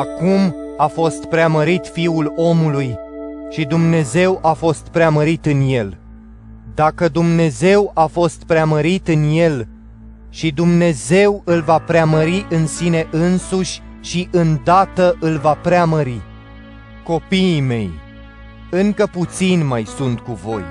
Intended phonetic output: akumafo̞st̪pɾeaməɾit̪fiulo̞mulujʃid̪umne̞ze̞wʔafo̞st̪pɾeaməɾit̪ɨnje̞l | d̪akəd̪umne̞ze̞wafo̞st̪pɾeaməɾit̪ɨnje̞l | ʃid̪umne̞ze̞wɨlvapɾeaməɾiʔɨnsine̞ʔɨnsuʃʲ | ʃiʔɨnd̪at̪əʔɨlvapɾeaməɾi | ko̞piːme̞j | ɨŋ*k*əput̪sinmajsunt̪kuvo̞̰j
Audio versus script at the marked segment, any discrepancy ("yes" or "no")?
no